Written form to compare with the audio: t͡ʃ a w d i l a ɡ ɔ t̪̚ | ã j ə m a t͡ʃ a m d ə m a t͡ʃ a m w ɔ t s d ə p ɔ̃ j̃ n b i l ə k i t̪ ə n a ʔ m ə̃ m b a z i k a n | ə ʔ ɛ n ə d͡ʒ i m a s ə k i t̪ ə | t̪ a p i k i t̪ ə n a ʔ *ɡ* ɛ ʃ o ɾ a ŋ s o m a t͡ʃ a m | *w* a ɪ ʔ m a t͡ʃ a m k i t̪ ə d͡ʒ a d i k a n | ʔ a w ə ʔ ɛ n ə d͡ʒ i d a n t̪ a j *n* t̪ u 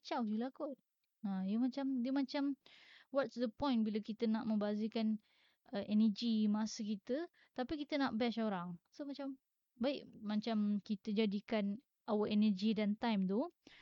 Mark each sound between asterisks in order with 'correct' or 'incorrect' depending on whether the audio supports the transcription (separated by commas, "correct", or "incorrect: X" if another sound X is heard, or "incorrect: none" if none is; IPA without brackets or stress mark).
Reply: incorrect: b, incorrect: b, incorrect: m